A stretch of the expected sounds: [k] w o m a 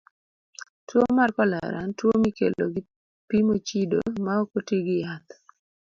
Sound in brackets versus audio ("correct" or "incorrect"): incorrect